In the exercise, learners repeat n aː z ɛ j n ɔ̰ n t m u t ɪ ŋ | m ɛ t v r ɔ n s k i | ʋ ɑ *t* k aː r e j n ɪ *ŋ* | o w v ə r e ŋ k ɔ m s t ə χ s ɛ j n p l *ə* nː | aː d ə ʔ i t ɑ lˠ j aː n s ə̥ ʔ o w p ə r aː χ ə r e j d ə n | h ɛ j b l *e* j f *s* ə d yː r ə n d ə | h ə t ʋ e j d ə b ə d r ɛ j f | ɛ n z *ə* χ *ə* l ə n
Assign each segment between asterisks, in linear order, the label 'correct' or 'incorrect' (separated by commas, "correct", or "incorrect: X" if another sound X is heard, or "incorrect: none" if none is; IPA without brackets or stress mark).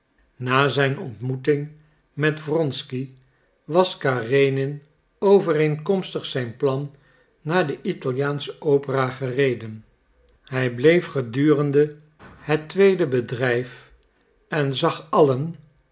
incorrect: s, incorrect: n, incorrect: ɑ, correct, incorrect: χ, incorrect: ɑ, incorrect: ɑ